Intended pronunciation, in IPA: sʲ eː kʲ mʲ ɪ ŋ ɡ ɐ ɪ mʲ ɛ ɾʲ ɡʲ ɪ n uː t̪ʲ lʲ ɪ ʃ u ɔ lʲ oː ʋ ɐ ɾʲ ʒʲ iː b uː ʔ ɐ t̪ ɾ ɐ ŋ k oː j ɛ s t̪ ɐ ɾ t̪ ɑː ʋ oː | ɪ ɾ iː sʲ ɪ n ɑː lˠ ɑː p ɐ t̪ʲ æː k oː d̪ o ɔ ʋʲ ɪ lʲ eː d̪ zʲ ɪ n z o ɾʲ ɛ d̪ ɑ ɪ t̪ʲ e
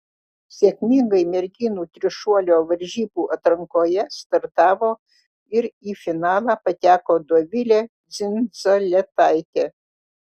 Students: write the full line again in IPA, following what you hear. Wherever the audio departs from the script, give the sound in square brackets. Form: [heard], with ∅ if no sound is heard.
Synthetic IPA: sʲ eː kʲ mʲ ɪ ŋ ɡ ɐ ɪ mʲ ɛ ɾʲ ɡʲ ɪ n uː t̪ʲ [ɾʲ] ɪ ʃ u ɔ lʲ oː ʋ ɐ ɾʲ ʒʲ iː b uː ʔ ɐ t̪ ɾ ɐ ŋ k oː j ɛ s t̪ ɐ ɾ t̪ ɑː ʋ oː | ɪ ɾ iː [fʲ] ɪ n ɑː lˠ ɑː p ɐ t̪ʲ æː k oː d̪ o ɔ ʋʲ ɪ lʲ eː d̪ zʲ ɪ n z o [lʲ] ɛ [t̪] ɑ ɪ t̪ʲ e

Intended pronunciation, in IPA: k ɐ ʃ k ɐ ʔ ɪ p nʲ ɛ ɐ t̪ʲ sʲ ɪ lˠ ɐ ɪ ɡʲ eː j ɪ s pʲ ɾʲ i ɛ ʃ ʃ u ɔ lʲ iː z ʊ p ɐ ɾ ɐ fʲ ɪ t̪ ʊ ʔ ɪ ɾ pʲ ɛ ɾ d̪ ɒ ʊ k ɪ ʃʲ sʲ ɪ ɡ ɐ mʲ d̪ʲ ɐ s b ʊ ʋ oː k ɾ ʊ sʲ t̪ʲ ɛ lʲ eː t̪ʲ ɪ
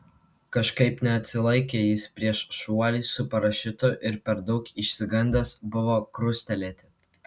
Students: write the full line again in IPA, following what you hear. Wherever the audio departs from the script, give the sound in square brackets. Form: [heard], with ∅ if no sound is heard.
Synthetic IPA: k ɐ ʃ k ɐ [∅] ɪ p nʲ ɛ ɐ t̪ʲ sʲ ɪ lˠ ɐ ɪ [kʲ] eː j ɪ s pʲ ɾʲ i ɛ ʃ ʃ u ɔ lʲ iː [s] ʊ p ɐ ɾ ɐ [ʃʲ] ɪ t̪ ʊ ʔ ɪ ɾ pʲ ɛ ɾ d̪ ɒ ʊ k ɪ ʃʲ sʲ ɪ ɡ ɐ [nʲ] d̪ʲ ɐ s b ʊ ʋ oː k ɾ ʊ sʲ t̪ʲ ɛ lʲ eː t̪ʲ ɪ

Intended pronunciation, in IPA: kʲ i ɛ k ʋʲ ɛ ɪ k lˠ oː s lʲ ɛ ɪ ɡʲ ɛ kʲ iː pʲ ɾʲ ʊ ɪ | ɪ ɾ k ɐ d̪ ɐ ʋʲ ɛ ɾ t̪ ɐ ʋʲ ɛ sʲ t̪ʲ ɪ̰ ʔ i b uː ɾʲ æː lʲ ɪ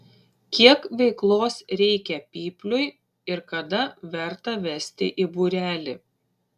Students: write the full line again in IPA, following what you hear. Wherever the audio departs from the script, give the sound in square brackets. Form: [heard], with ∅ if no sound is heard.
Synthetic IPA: kʲ i ɛ k ʋʲ ɛ ɪ k lˠ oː s [ɾʲ] ɛ ɪ [kʲ] ɛ [pʲ] iː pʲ [lʲ] ʊ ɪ | ɪ ɾ k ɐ d̪ ɐ ʋʲ ɛ ɾ t̪ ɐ ʋʲ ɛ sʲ t̪ʲ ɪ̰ ʔ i b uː ɾʲ æː lʲ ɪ

